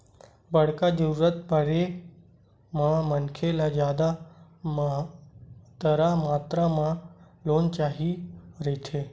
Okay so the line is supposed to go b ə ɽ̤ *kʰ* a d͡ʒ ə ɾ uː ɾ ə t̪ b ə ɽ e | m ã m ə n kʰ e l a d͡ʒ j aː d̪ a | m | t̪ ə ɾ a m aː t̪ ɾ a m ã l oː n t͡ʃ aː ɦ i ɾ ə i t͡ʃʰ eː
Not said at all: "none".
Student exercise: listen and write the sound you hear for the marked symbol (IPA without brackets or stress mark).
k